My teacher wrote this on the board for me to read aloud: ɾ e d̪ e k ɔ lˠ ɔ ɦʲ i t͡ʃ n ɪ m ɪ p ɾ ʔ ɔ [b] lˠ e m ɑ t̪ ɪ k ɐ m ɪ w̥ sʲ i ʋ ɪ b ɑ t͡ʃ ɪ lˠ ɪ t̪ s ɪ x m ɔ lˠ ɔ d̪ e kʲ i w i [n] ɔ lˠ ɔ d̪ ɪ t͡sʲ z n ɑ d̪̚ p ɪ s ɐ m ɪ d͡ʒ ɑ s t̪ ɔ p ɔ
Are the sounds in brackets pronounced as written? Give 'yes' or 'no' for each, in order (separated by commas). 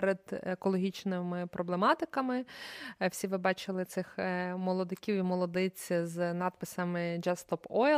yes, no